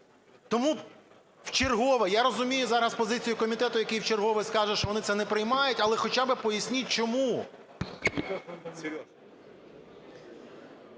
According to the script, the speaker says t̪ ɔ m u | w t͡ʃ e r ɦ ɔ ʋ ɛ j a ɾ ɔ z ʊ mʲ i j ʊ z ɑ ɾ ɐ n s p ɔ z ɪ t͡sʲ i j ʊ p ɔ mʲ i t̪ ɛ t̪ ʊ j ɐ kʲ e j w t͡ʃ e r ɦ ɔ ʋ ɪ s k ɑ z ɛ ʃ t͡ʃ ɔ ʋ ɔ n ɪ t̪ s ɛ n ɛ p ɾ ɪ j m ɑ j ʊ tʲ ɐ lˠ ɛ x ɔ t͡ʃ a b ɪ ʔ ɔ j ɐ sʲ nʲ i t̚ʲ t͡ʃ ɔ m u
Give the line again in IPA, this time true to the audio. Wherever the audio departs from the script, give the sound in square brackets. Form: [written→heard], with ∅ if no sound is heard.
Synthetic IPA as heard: t̪ ɔ m u | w t͡ʃ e r ɦ ɔ ʋ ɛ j a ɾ ɔ z ʊ mʲ i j ʊ z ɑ ɾ ɐ [n→∅] s p ɔ z ɪ t͡sʲ i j ʊ [p→k] ɔ mʲ i t̪ ɛ t̪ ʊ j ɐ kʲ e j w t͡ʃ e r ɦ ɔ ʋ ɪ s k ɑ [z→ʒ] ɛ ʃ t͡ʃ ɔ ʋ ɔ n ɪ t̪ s ɛ n ɛ p ɾ ɪ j m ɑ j ʊ tʲ ɐ lˠ ɛ x ɔ t͡ʃ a b ɪ [ʔ→p] ɔ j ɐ sʲ nʲ i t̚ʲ t͡ʃ ɔ m u

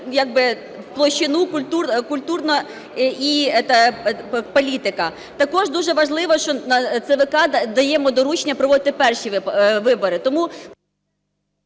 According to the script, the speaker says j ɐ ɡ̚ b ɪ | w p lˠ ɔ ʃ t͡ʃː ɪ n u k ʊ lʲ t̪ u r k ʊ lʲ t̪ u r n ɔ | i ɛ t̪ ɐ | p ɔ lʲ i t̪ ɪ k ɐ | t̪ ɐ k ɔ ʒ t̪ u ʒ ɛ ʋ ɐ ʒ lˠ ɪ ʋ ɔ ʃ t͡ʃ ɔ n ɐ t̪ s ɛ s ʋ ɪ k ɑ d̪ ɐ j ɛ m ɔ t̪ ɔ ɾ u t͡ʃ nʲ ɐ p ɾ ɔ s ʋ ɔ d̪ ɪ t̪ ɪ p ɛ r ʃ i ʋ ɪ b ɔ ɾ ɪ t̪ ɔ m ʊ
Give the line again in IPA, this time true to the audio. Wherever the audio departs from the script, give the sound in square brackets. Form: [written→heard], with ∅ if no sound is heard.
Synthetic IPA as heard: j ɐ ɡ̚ b ɪ | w p lˠ ɔ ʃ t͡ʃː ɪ n u k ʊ lʲ t̪ u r k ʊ lʲ t̪ u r n ɔ | i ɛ t̪ ɐ | p ɔ lʲ i t̪ ɪ k ɐ | t̪ ɐ k ɔ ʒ [t̪→d̪] u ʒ ɛ ʋ ɐ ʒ lˠ ɪ ʋ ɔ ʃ t͡ʃ ɔ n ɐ t̪ s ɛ [s→∅] ʋ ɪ k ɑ d̪ ɐ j ɛ m ɔ [t̪→d̪] ɔ ɾ u t͡ʃ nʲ ɐ p ɾ ɔ [s→∅] ʋ ɔ d̪ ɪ t̪ ɪ p ɛ r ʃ i ʋ ɪ b ɔ ɾ ɪ t̪ ɔ m [ʊ→u]

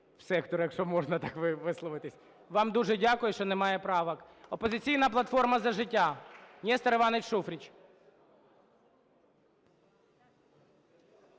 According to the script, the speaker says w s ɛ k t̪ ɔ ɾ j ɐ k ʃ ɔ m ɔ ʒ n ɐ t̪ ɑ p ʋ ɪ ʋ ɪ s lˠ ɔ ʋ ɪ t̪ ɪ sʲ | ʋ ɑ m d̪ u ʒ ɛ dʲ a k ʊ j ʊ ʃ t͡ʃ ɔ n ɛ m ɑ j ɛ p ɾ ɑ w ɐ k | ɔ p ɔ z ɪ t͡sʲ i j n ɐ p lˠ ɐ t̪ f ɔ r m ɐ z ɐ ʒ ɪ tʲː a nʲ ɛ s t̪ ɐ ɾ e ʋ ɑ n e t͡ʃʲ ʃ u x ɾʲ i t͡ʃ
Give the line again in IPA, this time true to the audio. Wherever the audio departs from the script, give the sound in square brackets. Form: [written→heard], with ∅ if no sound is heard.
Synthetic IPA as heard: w s ɛ k t̪ ɔ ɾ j ɐ k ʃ ɔ m ɔ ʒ n ɐ t̪ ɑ [p→k] ʋ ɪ ʋ ɪ s lˠ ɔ ʋ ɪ t̪ ɪ sʲ | ʋ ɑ m d̪ u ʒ ɛ dʲ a k ʊ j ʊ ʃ t͡ʃ ɔ n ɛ m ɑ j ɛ p ɾ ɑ [w→ʋ] ɐ k | ɔ p ɔ z ɪ t͡sʲ i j n ɐ p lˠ ɐ t̪ f ɔ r m ɐ z ɐ ʒ ɪ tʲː a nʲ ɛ s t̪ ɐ ɾ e ʋ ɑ n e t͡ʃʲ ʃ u [x→f] ɾʲ i t͡ʃ

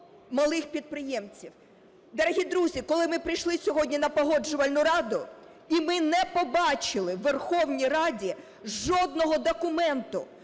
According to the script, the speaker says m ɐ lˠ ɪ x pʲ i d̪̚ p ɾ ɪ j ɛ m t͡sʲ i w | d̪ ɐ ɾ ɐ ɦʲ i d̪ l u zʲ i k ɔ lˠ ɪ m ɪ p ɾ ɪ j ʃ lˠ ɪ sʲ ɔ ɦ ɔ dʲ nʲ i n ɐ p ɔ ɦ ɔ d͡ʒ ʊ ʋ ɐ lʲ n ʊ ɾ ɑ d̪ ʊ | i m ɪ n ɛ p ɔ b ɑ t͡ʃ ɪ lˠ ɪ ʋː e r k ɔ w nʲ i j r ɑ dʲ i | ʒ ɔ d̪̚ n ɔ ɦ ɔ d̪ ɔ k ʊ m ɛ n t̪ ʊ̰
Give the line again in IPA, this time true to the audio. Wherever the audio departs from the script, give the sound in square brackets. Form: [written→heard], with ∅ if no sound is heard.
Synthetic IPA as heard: m ɐ lˠ ɪ x pʲ i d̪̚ p ɾ ɪ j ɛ m t͡sʲ i w | d̪ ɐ ɾ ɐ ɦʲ i d̪ [l→ɾ] u zʲ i k ɔ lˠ ɪ m ɪ p ɾ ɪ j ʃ lˠ ɪ sʲ ɔ ɦ ɔ dʲ nʲ i n ɐ p ɔ ɦ ɔ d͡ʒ ʊ ʋ ɐ lʲ n ʊ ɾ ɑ d̪ ʊ | i m ɪ n ɛ p ɔ b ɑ t͡ʃ ɪ lˠ ɪ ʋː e r [k→x] ɔ w nʲ i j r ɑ dʲ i | ʒ ɔ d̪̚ n ɔ ɦ ɔ d̪ ɔ k ʊ m ɛ n t̪ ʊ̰

